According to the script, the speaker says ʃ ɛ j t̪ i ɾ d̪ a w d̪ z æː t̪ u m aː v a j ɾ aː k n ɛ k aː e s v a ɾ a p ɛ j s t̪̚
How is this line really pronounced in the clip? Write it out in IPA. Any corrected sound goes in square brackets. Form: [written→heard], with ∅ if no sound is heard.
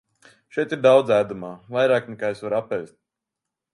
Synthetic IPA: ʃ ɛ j t̪ i ɾ d̪ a w d̪ z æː [t̪→d̪] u m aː v a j ɾ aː k n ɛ k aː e s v a ɾ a p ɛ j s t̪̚